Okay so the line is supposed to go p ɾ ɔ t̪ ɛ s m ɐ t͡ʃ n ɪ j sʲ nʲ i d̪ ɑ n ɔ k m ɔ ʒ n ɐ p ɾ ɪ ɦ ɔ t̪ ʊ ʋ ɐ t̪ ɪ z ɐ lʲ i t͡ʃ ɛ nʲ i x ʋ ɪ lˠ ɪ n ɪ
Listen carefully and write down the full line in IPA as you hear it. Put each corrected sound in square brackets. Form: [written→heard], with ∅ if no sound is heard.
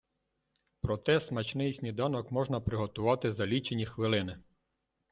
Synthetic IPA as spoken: p ɾ ɔ t̪ ɛ s m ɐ t͡ʃ n ɪ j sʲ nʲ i d̪ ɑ n ɔ k m ɔ ʒ n ɐ p ɾ ɪ ɦ ɔ t̪ ʊ ʋ [ɐ→ɑ] t̪ ɪ z ɐ lʲ i t͡ʃ [ɛ→e] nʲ i x ʋ ɪ lˠ ɪ n ɪ